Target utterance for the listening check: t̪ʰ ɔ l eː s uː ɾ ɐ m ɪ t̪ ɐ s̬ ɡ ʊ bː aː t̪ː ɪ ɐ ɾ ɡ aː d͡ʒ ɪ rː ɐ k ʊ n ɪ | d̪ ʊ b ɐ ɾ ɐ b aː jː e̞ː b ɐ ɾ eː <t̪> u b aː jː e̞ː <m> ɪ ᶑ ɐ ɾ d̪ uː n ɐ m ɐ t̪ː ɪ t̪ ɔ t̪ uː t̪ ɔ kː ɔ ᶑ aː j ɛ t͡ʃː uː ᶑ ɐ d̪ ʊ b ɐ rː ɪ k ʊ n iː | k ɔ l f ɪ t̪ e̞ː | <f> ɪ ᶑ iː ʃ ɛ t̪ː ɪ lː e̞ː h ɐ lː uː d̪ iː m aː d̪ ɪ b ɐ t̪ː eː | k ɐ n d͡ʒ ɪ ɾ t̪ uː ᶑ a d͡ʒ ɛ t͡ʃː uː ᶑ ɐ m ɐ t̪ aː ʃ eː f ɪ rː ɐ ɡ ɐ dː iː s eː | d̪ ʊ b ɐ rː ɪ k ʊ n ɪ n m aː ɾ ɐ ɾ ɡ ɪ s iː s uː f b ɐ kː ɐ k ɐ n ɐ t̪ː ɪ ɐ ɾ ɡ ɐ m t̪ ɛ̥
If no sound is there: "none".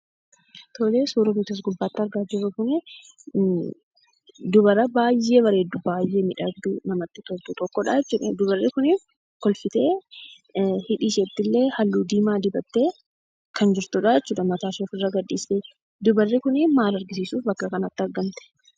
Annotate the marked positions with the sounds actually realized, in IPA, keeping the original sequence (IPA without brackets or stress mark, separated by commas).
d̪, m, h